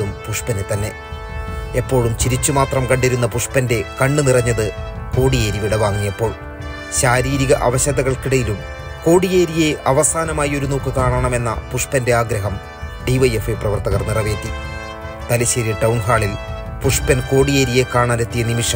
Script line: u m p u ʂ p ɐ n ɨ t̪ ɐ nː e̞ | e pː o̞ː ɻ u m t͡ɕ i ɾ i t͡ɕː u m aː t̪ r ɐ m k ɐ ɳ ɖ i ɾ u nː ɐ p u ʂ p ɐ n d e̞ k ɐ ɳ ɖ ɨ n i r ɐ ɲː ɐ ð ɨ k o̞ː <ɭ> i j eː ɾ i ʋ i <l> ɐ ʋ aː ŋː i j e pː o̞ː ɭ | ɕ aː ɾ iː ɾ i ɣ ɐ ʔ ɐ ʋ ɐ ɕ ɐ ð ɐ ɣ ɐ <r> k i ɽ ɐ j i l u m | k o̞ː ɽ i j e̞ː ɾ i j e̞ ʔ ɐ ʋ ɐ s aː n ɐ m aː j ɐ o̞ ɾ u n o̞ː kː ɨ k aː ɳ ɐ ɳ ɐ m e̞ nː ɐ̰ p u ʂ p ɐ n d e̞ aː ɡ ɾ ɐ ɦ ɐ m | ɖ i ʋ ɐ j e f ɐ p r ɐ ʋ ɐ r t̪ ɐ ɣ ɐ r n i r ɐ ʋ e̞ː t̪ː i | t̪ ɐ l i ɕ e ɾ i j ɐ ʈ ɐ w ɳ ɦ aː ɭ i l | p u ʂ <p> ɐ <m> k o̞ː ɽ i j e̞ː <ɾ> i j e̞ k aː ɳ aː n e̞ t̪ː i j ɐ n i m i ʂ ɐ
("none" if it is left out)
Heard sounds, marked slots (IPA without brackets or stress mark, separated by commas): ɽ, ɽ, ɭ, p, n, ɾ